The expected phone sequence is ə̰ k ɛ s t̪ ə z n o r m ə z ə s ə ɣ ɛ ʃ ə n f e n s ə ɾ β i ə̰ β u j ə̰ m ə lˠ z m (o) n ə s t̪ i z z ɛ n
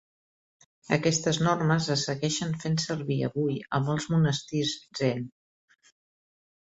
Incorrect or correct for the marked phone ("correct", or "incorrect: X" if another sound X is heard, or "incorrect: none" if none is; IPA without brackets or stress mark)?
incorrect: u